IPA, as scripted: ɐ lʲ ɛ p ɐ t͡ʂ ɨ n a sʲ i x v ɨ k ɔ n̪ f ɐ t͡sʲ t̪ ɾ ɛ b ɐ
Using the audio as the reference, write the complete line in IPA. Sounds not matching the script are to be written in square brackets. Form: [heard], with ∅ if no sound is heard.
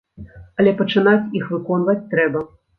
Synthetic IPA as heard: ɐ lʲ ɛ p ɐ t͡ʂ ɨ n a [t͡sʲ] i x v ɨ k ɔ n̪ [v] ɐ t͡sʲ t̪ ɾ ɛ b ɐ